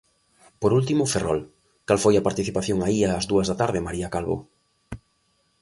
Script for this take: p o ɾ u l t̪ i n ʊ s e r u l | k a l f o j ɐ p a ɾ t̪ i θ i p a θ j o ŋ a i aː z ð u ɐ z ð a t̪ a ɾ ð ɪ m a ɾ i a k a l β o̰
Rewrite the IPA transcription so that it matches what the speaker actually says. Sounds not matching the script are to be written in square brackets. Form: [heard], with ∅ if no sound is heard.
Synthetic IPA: p o ɾ u l t̪ i [m] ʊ [f] e r [ɔ] l | k a l f o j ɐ p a ɾ t̪ i θ i p a θ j o ŋ a i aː z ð u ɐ z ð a t̪ a ɾ ð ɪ m a ɾ i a k a l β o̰